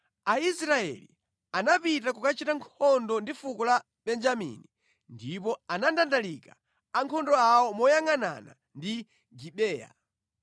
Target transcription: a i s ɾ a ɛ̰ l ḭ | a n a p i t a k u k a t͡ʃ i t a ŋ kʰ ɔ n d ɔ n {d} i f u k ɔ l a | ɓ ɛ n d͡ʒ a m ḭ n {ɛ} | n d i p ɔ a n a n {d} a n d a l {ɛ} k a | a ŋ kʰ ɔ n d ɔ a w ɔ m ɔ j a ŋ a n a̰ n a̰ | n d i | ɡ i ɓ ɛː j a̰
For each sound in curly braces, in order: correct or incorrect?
correct, incorrect: i, correct, incorrect: i

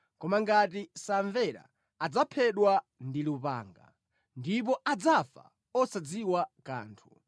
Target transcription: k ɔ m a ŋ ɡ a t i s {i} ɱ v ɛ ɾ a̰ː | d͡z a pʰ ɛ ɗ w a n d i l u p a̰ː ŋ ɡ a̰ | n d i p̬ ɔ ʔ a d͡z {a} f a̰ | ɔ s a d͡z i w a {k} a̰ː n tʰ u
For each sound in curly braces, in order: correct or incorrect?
incorrect: a, correct, correct

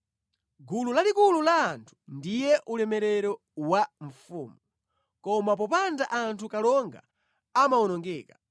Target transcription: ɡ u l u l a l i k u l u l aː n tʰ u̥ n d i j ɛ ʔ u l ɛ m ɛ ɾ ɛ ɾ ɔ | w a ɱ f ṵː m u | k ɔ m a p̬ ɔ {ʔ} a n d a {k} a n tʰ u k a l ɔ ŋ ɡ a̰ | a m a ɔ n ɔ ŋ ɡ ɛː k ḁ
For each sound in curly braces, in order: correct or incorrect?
incorrect: p, incorrect: ʔ

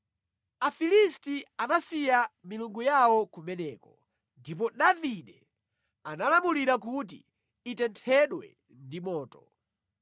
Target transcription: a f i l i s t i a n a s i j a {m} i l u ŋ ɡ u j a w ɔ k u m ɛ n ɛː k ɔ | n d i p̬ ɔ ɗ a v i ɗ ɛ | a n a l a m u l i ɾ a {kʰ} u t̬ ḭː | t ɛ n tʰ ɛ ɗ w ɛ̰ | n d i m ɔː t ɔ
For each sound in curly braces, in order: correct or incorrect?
correct, incorrect: k

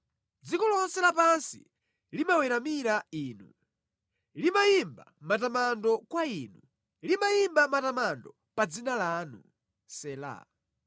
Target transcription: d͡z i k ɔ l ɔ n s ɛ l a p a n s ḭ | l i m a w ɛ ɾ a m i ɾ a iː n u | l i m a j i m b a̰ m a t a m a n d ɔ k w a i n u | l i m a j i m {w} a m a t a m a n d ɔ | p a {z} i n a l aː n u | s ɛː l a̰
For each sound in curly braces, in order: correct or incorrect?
incorrect: b, incorrect: d͡z

